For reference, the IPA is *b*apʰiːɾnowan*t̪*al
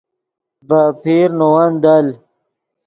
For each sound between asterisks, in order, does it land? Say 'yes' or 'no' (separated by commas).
yes, no